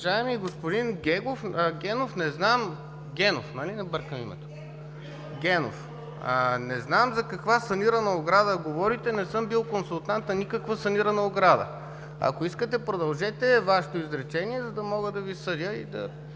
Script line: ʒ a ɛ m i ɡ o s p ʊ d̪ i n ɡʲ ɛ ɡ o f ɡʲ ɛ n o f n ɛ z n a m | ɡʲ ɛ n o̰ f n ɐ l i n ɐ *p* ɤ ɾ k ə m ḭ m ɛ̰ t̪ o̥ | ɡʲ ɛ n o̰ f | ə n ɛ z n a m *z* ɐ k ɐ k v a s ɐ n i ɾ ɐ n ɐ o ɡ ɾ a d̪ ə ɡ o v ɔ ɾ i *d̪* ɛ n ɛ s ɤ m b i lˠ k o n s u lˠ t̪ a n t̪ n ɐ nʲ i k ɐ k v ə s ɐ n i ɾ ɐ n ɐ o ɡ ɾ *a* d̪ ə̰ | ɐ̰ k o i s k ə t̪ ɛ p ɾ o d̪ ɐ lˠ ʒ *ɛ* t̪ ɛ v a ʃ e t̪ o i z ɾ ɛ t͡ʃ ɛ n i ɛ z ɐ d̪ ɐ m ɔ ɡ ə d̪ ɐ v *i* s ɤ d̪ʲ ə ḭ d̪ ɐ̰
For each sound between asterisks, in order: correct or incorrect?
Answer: incorrect: b, correct, incorrect: t̪, correct, correct, correct

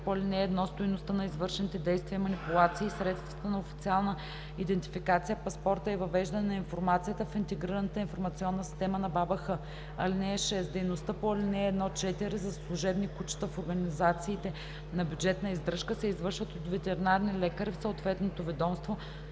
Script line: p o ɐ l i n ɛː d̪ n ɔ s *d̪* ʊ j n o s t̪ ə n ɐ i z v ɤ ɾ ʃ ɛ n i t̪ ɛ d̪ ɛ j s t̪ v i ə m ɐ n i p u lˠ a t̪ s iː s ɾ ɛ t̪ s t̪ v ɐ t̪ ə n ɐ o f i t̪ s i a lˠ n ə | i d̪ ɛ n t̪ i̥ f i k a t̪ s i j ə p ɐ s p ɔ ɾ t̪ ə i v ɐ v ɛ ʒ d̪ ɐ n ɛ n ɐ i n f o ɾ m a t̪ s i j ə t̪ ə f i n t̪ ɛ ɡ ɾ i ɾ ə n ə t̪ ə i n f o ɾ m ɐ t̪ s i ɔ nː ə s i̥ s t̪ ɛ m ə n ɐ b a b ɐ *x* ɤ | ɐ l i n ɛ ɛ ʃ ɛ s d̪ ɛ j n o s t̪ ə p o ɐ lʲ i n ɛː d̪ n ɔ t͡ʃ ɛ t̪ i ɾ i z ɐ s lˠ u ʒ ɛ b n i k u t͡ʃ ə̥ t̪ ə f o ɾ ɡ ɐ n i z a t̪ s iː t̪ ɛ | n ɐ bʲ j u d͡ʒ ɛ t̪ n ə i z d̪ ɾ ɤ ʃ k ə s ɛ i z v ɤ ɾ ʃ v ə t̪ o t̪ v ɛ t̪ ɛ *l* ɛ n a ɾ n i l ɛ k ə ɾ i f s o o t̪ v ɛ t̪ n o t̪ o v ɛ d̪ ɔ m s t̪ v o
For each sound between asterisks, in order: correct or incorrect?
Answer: incorrect: t̪, correct, incorrect: ɾ

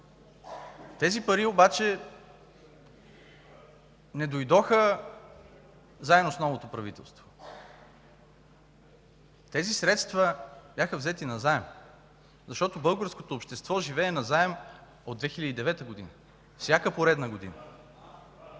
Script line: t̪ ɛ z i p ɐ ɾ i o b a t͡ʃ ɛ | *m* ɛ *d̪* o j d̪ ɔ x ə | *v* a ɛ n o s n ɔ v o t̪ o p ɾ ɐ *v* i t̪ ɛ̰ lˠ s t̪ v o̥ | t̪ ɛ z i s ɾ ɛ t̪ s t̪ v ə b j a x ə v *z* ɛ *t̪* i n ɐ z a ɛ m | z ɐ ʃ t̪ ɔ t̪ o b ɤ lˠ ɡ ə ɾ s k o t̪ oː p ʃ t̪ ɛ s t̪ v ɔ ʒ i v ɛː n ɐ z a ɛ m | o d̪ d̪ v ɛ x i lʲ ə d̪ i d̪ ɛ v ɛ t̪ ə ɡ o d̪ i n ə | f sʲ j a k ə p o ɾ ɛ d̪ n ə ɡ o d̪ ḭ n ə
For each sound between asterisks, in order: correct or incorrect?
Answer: incorrect: n, correct, incorrect: z, correct, correct, correct

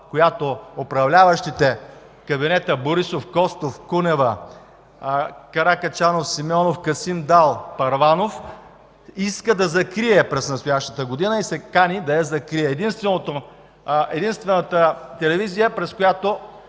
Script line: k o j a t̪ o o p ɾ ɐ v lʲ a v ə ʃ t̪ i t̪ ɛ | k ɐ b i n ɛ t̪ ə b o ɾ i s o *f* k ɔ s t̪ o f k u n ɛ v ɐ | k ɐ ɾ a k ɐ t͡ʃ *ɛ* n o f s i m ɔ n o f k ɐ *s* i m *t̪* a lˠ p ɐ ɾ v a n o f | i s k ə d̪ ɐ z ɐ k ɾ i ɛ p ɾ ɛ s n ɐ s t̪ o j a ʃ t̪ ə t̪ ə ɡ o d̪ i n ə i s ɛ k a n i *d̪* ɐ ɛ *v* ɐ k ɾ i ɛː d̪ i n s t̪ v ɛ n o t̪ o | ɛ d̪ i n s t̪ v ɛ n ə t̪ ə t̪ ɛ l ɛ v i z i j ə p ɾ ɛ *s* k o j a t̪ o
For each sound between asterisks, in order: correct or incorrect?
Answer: correct, incorrect: a, correct, incorrect: d̪, correct, incorrect: z, correct

